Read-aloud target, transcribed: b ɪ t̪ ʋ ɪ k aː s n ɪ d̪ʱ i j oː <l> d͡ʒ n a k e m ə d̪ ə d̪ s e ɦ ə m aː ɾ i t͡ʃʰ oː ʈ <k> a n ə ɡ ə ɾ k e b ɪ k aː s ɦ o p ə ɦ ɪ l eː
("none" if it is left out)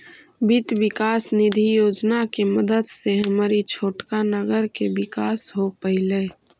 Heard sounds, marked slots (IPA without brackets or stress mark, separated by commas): none, k